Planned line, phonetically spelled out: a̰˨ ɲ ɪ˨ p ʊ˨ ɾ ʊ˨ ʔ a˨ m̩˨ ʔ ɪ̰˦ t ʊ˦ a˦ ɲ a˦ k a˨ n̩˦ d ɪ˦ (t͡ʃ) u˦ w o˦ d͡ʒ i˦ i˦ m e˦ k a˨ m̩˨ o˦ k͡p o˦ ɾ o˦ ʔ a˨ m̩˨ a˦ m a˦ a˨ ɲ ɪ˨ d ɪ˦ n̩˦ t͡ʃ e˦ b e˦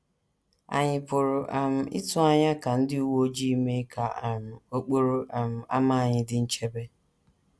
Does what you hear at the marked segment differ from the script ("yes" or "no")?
yes